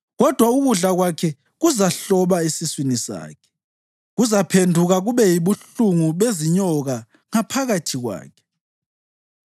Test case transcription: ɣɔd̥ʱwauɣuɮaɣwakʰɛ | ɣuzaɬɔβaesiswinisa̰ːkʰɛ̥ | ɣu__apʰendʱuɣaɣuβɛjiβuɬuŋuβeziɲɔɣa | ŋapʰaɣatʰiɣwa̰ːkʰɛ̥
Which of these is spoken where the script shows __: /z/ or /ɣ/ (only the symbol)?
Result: z